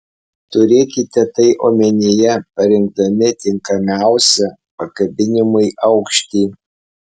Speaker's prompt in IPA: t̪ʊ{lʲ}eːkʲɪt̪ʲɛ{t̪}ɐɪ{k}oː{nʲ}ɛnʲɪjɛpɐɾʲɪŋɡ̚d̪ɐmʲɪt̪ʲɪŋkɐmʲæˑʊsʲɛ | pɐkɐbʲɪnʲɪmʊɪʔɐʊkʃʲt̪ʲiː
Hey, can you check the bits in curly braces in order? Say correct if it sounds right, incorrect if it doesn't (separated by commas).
incorrect, correct, incorrect, incorrect